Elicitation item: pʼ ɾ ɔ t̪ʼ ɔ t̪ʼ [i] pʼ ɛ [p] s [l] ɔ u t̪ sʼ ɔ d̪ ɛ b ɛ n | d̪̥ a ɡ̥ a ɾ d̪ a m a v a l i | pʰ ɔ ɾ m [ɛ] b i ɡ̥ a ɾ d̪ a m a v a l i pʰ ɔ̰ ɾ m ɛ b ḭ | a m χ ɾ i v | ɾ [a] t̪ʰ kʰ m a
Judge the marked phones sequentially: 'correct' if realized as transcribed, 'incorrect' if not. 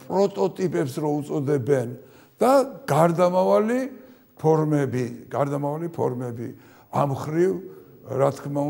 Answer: correct, correct, incorrect: ɾ, correct, correct

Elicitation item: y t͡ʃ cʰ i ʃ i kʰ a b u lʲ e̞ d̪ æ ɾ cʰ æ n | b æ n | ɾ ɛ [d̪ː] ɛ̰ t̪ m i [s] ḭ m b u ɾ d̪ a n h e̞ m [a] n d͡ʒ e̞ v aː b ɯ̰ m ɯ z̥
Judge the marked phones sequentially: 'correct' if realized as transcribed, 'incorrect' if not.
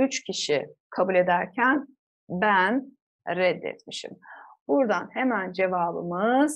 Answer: correct, incorrect: ʃ, incorrect: æ

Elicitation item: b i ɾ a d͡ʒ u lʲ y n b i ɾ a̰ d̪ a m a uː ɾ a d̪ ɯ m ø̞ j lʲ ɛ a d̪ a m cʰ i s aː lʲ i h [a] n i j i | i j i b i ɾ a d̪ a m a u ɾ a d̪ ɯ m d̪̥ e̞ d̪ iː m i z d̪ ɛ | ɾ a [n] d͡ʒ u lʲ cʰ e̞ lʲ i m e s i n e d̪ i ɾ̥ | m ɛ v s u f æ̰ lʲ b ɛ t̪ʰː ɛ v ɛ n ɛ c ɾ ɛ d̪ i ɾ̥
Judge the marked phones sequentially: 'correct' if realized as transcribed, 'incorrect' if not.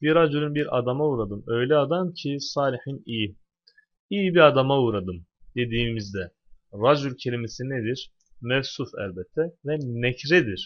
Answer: incorrect: i, incorrect: none

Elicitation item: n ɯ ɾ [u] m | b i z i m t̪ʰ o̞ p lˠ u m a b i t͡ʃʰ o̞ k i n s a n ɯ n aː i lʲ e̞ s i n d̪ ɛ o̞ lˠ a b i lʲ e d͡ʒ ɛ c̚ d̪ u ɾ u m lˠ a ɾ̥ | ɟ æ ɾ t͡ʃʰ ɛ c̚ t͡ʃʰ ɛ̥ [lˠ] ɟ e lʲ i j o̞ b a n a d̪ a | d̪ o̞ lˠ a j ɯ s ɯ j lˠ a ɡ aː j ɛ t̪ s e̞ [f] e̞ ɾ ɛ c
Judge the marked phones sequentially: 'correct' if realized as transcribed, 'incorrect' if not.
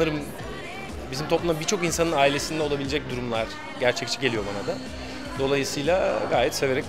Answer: incorrect: ɯ, incorrect: none, incorrect: v

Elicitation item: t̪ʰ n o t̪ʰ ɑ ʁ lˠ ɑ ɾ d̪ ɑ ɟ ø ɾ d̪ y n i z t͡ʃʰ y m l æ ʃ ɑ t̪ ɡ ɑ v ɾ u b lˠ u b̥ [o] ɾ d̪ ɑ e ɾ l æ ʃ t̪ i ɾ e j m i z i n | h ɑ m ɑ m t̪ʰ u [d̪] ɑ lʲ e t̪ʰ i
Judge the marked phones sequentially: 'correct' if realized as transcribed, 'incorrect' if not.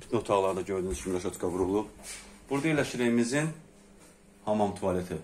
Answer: incorrect: u, incorrect: none

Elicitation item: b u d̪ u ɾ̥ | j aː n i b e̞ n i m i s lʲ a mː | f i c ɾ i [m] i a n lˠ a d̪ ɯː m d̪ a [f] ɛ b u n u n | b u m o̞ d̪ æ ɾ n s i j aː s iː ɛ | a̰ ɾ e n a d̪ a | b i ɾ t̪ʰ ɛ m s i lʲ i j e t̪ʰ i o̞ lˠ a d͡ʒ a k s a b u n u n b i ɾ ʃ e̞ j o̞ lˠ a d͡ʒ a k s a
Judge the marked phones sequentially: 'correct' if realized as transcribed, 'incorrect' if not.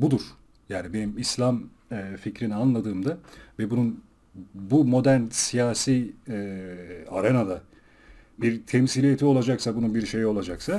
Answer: incorrect: n, incorrect: v

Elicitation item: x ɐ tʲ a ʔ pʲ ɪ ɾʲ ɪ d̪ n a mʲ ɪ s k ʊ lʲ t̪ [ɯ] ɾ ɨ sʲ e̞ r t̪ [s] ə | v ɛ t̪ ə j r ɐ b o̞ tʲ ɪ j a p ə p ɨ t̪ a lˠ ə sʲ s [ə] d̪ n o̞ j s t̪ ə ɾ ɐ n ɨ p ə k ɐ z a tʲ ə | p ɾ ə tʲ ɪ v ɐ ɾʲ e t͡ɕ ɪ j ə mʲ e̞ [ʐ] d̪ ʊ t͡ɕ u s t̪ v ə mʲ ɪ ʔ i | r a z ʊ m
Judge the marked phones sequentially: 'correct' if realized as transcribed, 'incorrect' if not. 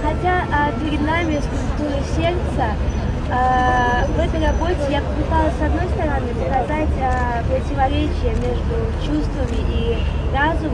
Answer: incorrect: u, correct, incorrect: ɐ, correct

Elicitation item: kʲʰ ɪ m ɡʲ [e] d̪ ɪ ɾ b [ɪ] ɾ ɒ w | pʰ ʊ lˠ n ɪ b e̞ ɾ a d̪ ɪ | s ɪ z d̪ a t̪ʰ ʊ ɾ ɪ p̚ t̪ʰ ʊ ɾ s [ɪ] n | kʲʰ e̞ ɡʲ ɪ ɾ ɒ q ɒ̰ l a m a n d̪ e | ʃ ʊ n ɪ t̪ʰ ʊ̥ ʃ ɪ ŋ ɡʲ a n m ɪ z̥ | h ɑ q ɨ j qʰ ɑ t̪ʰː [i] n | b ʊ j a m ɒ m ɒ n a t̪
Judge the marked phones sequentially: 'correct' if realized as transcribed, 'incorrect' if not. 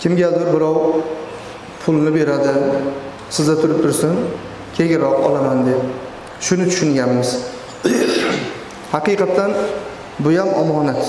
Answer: incorrect: a, correct, correct, incorrect: a

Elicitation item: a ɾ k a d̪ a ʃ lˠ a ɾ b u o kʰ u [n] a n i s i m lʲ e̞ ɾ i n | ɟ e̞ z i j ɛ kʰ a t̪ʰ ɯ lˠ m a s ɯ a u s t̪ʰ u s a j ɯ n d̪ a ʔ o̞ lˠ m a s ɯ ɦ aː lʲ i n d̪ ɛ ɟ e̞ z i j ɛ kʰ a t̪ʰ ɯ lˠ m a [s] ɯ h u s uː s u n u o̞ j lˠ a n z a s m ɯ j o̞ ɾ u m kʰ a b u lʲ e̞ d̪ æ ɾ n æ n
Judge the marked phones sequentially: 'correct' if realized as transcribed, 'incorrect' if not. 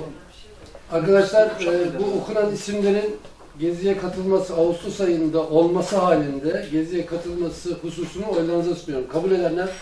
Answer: correct, correct

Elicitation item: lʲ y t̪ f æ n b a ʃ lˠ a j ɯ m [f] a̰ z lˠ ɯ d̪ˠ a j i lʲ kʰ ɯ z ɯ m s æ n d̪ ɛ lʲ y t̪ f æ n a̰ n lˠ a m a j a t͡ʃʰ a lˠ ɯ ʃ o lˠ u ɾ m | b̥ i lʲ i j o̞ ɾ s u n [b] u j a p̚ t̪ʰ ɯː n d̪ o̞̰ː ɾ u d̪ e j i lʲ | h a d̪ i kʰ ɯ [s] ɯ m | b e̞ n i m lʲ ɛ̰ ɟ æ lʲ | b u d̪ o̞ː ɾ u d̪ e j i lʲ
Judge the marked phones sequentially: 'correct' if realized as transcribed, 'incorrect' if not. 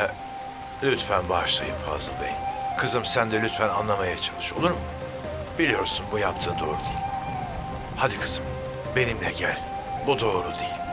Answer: correct, correct, incorrect: z

